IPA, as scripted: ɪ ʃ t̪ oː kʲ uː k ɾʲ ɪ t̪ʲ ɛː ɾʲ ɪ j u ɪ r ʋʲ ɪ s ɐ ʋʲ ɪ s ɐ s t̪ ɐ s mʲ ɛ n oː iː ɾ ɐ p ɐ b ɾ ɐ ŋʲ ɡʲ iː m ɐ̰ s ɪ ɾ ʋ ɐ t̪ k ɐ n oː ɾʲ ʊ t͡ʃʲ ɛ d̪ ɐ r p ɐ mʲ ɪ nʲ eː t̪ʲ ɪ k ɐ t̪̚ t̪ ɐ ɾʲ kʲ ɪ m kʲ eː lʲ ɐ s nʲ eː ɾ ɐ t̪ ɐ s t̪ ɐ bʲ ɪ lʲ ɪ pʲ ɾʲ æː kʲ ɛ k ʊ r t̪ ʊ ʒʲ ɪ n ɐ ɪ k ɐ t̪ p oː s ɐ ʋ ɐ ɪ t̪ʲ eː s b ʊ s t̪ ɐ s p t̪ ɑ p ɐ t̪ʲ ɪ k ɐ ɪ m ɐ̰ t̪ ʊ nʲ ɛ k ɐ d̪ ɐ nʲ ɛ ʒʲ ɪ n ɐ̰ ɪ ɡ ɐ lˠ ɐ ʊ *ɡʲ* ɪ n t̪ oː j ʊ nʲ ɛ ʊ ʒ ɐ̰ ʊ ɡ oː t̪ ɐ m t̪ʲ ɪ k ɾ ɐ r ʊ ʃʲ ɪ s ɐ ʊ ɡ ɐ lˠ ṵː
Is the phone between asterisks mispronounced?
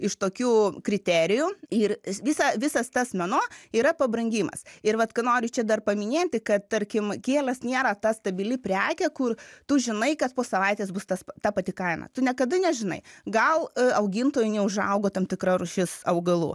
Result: no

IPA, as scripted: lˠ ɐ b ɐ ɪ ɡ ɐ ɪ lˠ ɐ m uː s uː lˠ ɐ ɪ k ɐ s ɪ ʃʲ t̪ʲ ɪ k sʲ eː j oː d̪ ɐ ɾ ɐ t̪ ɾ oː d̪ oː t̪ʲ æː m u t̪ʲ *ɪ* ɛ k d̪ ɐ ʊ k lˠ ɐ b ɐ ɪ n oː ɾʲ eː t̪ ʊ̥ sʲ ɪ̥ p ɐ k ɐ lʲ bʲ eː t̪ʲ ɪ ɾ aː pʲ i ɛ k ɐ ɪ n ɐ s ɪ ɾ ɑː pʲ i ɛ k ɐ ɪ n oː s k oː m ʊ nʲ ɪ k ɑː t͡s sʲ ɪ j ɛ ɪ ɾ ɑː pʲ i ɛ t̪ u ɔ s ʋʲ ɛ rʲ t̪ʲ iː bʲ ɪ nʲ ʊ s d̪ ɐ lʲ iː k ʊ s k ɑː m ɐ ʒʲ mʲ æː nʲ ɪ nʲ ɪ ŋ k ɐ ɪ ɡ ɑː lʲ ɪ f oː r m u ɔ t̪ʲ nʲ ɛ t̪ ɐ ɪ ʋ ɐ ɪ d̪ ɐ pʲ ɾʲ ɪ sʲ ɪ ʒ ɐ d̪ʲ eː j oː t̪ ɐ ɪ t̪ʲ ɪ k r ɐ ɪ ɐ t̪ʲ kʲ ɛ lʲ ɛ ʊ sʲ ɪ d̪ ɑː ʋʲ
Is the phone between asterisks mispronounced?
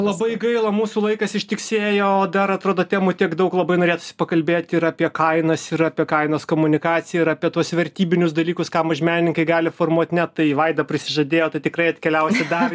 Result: yes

